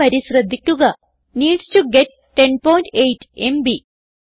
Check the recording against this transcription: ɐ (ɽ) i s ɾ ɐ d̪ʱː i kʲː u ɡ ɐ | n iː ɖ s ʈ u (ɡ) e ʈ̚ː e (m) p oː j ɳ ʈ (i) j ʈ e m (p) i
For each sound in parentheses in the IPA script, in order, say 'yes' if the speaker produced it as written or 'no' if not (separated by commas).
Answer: no, yes, no, no, no